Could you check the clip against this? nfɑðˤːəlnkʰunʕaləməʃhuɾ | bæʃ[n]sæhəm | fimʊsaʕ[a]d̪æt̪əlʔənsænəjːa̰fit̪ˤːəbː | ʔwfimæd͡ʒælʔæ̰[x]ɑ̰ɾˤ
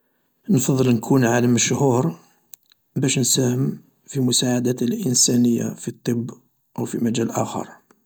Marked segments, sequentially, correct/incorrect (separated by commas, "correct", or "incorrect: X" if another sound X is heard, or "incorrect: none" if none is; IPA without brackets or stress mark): correct, correct, correct